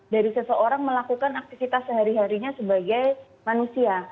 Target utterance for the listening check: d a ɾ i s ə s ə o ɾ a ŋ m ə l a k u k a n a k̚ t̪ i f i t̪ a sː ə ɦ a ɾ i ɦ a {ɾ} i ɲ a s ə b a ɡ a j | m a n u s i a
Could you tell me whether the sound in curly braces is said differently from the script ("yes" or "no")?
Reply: no